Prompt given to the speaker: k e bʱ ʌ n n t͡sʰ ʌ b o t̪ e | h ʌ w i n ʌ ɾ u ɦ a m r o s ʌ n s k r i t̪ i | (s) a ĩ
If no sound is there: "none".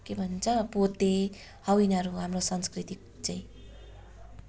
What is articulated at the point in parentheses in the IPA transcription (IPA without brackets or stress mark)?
t͡s